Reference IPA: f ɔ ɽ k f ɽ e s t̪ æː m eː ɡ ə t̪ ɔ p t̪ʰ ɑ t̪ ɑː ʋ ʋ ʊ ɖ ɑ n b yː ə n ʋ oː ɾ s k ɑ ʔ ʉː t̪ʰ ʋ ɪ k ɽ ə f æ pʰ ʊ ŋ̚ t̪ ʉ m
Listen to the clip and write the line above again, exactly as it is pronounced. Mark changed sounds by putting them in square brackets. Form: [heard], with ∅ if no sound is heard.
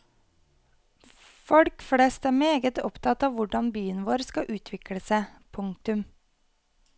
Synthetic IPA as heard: f ɔ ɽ k f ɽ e s t̪ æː m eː ɡ ə t̪ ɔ p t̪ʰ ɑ t̪ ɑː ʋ ʋ ʊ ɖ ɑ n b yː ə n ʋ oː ɾ s k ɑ ʔ ʉː t̪ʰ ʋ ɪ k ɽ ə [s] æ pʰ ʊ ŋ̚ t̪ ʉ m